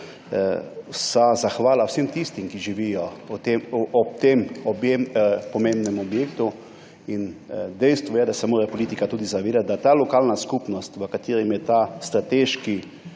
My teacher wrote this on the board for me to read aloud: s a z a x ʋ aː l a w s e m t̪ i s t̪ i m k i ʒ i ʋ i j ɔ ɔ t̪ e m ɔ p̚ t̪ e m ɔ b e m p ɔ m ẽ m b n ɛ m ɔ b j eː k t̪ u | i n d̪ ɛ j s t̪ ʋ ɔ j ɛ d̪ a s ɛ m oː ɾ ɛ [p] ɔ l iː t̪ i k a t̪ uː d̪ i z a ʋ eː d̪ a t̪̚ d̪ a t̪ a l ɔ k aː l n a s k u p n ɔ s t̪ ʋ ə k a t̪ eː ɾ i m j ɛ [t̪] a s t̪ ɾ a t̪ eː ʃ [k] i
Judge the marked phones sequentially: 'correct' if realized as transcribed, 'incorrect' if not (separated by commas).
correct, correct, correct